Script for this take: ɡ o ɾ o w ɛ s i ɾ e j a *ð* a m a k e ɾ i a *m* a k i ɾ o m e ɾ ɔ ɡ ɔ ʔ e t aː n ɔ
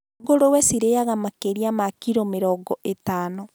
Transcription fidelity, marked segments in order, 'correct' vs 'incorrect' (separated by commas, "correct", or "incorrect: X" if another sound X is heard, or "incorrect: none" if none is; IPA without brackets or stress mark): incorrect: ɣ, correct